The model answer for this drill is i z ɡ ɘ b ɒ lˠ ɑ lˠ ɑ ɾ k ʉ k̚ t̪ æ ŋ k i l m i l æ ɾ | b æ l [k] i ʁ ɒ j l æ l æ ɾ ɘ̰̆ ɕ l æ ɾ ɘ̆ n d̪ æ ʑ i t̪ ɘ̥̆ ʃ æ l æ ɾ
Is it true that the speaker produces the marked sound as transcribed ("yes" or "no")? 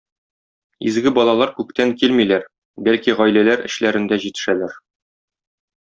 yes